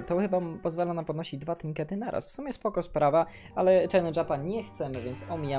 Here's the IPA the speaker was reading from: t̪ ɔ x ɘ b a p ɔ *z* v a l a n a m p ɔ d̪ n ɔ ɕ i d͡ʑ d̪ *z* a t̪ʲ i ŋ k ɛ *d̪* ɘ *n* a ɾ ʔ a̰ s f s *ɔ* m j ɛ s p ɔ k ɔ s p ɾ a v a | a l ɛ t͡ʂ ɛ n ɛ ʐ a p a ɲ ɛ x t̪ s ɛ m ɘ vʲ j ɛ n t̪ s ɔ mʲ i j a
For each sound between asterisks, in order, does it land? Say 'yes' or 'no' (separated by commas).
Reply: yes, no, no, yes, no